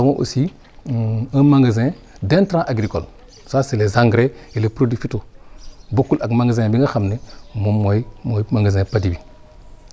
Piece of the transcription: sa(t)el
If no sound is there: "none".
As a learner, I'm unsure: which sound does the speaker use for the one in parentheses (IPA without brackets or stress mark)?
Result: s